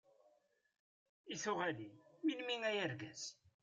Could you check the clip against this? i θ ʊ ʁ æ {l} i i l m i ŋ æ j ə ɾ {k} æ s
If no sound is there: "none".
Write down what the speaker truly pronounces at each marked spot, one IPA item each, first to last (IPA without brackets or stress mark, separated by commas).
l, ɡ